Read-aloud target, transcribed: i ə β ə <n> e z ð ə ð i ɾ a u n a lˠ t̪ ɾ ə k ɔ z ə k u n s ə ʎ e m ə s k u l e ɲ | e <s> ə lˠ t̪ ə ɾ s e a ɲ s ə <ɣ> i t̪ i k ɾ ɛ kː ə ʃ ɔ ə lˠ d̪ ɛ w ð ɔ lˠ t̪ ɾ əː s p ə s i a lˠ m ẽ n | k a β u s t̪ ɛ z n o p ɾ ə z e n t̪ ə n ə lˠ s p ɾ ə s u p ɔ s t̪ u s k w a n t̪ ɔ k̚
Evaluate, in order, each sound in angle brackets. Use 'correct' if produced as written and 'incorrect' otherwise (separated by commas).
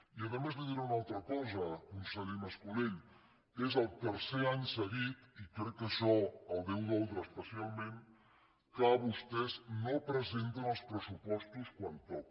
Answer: incorrect, incorrect, correct